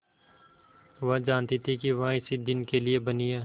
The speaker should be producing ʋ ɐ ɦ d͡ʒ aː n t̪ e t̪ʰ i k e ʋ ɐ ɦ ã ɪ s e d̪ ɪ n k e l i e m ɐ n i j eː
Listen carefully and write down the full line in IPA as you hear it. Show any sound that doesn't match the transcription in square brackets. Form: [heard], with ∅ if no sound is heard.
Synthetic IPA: ʋ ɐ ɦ d͡ʒ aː n t̪ [i] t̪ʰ i k [i] ʋ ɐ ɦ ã ɪ s [i] d̪ ɪ n k e l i e [b] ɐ n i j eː